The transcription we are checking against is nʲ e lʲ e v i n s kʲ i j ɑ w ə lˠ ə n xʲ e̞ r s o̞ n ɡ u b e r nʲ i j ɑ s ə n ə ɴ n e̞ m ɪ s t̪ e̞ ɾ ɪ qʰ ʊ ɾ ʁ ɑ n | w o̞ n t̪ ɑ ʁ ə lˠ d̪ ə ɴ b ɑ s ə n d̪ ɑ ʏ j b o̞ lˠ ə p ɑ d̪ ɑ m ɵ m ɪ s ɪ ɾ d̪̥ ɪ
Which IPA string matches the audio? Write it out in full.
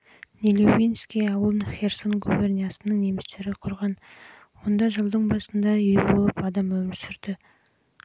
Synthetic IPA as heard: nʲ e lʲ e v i n s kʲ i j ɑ w ə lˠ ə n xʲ e̞ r s o̞ n ɡ u b e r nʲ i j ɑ s ə n ə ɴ n e̞ m ɪ s t̪ e̞ ɾ ɪ qʰ ʊ ɾ ʁ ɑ n | w o̞ n d̪ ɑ ʒ ə lˠ d̪ ə ɴ b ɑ s ə n d̪ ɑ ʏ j b o̞ lˠ ə p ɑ d̪ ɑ m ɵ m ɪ s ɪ ɾ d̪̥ ɪ